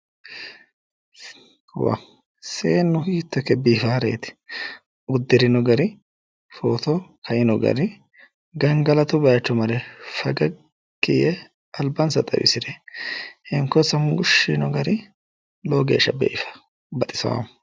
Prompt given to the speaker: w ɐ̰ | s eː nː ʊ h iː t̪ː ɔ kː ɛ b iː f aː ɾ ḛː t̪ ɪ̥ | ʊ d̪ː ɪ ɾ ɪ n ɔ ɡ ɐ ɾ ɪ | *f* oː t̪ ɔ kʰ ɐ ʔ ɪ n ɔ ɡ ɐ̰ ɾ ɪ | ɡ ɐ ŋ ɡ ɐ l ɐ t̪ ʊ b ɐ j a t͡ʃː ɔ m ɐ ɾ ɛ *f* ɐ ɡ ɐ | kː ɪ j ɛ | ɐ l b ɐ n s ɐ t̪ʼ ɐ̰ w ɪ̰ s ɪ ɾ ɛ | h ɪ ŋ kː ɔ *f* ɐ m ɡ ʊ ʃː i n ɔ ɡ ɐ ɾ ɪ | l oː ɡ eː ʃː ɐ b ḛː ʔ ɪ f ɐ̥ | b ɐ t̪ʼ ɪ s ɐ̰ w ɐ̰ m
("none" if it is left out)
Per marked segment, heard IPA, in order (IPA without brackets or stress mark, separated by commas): f, f, s